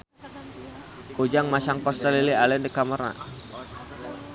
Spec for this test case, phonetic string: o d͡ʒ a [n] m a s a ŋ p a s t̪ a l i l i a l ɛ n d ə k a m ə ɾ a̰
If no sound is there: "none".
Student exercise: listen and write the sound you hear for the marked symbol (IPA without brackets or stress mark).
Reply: ŋ